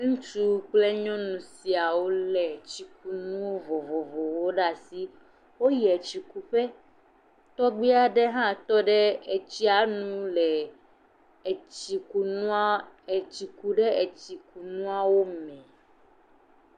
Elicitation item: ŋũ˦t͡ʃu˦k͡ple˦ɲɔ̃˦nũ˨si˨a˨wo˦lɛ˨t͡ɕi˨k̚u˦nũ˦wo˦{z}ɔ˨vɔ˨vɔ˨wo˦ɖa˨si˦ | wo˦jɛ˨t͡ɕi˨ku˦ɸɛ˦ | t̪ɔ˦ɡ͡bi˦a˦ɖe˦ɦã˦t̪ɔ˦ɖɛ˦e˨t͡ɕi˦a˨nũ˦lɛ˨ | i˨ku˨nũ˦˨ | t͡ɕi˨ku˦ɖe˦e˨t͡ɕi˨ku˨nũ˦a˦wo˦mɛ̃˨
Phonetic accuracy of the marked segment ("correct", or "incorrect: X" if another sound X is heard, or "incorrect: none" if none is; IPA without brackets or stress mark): incorrect: v